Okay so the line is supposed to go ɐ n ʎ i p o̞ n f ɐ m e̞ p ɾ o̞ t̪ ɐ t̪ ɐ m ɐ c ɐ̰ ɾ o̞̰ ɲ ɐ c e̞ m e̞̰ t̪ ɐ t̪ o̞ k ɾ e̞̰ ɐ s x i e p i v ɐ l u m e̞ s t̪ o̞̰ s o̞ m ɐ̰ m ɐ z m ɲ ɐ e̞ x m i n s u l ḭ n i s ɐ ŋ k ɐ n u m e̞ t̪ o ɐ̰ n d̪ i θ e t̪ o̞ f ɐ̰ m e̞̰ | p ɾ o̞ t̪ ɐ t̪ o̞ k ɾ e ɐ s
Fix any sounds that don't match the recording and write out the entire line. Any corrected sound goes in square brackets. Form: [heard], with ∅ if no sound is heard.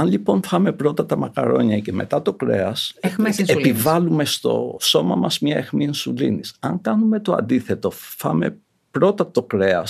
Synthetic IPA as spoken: ɐ n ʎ i p o̞ n f ɐ m e̞ p ɾ o̞ t̪ ɐ t̪ ɐ m ɐ [k] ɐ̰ ɾ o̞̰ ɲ ɐ c e̞ m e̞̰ t̪ ɐ t̪ o̞ k ɾ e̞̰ ɐ s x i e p i v ɐ l u m e̞ s t̪ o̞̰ s o̞ m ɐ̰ m ɐ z m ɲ ɐ e̞ x m i n s u l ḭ n i s ɐ ŋ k ɐ n u m e̞ t̪ o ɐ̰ n d̪ i θ e t̪ o̞ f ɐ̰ m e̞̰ | p ɾ o̞ t̪ ɐ t̪ o̞ k ɾ e ɐ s